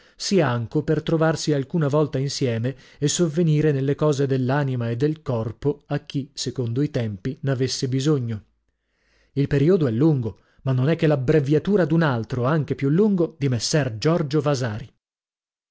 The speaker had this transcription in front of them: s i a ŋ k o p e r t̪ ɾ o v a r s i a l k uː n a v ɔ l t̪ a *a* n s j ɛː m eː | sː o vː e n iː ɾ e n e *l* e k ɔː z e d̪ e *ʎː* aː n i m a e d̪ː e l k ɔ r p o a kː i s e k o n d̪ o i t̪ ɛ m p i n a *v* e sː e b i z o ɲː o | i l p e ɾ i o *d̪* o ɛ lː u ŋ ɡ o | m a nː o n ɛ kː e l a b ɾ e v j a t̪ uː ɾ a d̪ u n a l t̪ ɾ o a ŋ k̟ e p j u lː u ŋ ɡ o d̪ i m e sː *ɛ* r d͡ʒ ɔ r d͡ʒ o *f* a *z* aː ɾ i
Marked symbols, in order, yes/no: no, no, no, yes, yes, yes, no, yes

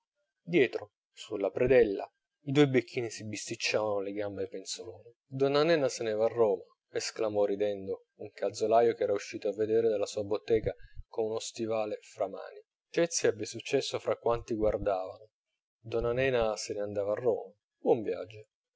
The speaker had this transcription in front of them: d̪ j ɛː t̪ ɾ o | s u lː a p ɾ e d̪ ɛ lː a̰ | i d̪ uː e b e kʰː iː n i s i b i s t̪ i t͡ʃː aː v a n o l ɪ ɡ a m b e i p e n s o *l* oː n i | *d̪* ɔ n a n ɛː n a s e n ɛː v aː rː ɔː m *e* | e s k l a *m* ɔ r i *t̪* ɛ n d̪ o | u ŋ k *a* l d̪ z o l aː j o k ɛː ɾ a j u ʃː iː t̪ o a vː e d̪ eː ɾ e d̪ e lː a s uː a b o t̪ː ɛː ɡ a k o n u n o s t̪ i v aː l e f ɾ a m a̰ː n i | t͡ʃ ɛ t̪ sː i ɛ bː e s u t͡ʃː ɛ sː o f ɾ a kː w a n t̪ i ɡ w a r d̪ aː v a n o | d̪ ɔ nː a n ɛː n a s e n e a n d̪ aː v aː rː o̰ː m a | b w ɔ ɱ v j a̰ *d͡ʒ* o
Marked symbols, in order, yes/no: yes, yes, no, yes, no, yes, no

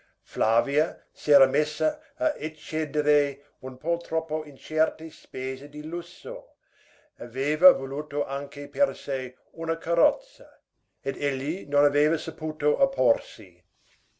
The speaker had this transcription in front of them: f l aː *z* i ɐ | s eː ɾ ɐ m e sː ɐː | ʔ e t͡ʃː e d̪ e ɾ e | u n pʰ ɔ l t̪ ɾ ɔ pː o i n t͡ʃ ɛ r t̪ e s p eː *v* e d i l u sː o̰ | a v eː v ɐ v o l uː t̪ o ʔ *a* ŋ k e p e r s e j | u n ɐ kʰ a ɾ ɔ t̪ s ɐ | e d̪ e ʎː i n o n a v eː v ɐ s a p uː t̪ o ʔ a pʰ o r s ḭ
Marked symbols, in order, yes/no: no, no, yes

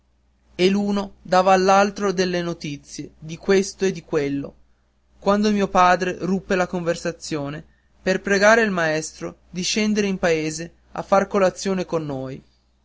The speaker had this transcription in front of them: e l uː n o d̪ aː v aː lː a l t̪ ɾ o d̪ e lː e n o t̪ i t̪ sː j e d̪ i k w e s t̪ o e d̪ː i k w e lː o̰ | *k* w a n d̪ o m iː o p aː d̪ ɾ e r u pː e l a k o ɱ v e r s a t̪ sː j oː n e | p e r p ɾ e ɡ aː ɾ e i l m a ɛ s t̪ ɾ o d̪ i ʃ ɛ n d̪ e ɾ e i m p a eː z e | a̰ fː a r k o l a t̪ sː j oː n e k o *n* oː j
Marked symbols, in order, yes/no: yes, no

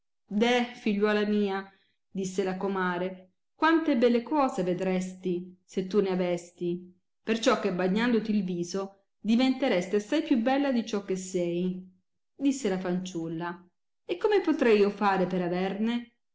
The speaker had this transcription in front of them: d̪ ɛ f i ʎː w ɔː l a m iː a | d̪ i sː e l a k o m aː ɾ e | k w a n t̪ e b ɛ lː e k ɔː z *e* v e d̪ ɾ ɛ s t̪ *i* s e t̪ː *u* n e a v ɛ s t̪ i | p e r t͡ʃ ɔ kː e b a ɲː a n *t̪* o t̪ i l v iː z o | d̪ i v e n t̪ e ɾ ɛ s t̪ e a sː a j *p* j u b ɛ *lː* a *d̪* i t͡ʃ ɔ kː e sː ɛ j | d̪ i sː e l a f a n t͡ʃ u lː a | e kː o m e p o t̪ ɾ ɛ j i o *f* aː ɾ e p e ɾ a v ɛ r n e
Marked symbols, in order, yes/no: yes, yes, yes, no, yes, yes, yes, yes

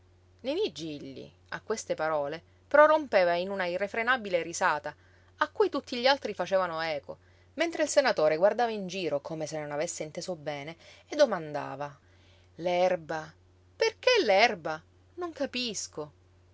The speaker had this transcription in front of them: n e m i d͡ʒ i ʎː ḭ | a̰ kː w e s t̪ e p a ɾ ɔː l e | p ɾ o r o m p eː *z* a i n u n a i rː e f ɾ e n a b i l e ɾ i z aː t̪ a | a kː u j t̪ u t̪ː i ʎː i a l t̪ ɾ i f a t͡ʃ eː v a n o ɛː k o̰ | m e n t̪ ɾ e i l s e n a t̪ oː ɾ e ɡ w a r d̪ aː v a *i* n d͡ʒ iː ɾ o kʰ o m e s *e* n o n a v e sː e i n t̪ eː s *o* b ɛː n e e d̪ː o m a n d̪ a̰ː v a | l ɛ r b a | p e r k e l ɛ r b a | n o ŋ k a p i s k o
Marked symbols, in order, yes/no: no, yes, yes, yes

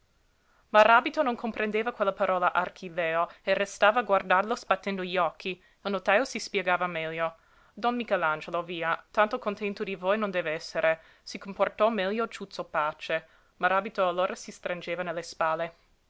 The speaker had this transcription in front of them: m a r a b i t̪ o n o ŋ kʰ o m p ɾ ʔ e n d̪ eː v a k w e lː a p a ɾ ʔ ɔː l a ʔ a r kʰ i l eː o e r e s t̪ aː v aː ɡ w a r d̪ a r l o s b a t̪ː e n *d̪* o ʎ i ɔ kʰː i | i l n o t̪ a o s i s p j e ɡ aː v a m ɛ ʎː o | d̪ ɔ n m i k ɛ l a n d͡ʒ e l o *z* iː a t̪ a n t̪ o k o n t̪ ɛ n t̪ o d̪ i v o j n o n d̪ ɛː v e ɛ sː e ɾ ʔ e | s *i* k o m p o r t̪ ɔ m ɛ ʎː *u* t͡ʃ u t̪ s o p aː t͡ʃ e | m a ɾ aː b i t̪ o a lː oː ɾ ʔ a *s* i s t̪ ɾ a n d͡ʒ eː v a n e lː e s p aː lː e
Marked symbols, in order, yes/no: yes, no, yes, no, yes

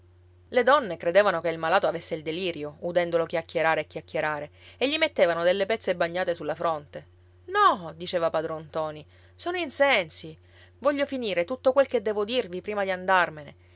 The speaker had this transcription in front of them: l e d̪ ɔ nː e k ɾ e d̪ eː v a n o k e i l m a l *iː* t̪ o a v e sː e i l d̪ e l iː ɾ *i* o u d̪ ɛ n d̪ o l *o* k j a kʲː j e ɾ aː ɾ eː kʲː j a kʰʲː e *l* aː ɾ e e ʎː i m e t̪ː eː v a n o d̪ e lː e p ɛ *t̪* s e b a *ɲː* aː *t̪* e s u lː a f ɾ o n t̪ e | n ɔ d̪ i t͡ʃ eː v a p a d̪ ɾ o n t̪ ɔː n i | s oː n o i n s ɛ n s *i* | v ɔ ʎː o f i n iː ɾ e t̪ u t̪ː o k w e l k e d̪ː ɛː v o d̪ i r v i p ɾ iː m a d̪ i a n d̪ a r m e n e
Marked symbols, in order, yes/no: no, no, yes, no, yes, yes, yes, yes

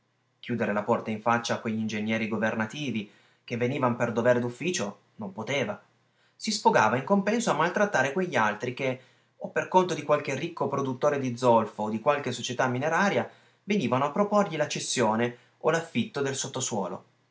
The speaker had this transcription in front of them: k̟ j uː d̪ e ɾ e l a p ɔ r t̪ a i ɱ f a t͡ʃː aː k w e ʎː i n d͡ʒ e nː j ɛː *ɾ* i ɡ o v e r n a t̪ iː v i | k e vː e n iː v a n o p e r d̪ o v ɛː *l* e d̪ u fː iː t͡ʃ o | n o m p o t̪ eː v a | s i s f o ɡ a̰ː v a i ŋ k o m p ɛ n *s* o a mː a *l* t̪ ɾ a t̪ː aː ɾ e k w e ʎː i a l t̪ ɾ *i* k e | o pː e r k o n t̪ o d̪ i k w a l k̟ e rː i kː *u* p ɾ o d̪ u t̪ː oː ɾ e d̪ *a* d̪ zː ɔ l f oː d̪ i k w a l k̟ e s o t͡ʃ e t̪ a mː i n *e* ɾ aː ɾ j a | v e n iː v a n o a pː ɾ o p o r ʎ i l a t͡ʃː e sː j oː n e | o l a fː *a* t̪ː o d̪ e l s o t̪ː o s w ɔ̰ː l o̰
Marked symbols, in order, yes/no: yes, no, yes, yes, yes, no, no, yes, no

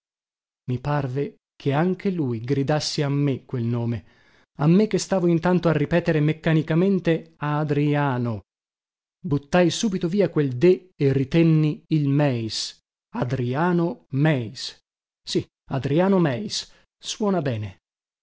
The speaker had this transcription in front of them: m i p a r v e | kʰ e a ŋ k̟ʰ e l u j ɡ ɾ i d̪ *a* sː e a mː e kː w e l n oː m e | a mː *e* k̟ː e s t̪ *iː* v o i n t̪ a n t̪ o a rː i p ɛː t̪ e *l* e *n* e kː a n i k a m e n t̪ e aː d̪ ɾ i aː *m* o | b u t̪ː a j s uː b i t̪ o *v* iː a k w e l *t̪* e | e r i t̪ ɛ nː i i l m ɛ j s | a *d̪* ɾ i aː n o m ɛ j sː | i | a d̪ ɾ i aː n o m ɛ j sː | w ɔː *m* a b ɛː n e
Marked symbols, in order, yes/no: yes, yes, no, no, no, no, yes, no, yes, no

